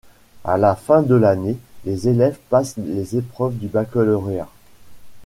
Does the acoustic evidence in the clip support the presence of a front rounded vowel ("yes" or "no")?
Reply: yes